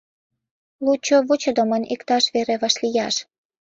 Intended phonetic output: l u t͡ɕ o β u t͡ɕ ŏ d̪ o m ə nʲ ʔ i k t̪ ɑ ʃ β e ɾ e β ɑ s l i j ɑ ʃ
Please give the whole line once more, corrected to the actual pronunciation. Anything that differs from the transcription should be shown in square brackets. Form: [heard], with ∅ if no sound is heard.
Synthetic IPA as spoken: l u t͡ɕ o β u t͡ɕ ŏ d̪ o m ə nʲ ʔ i k t̪ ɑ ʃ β e ɾ e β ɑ [ʃ] l i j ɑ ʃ